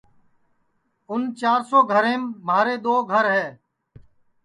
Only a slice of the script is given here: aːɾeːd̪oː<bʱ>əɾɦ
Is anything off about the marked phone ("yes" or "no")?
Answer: yes